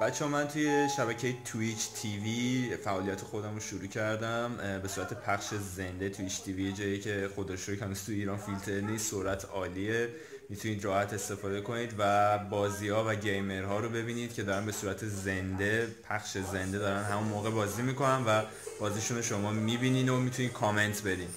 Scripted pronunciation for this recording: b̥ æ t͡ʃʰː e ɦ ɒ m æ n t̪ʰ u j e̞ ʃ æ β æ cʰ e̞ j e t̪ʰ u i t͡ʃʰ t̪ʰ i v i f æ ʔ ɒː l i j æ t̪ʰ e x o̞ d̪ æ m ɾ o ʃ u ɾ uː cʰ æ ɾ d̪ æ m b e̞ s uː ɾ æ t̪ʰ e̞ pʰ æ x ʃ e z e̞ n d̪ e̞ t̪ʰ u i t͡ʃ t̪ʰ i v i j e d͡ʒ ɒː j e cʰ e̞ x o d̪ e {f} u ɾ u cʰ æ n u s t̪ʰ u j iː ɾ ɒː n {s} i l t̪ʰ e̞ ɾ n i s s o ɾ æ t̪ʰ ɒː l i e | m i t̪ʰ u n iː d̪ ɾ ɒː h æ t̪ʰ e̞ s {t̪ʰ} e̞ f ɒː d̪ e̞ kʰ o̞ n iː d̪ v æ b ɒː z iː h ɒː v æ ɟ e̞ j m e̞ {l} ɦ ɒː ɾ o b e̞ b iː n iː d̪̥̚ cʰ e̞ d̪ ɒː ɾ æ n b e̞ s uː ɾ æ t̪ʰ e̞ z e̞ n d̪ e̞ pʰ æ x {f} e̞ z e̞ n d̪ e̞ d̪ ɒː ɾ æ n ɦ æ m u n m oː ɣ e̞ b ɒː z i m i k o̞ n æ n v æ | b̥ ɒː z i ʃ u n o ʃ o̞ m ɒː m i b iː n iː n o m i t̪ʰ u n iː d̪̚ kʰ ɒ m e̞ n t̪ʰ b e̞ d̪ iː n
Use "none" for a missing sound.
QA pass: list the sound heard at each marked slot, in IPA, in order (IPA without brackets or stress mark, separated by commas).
ʃ, f, t̪, ɾ, ʃ